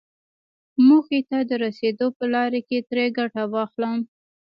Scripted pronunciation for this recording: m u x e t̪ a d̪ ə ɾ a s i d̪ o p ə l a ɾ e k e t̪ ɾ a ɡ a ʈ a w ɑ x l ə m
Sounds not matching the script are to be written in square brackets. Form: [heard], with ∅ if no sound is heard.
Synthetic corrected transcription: m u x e t̪ a d̪ ə ɾ a s [e] d̪ o p ə l [ɑ] ɾ e k e t̪ ɾ [e] ɡ a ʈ a w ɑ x l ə m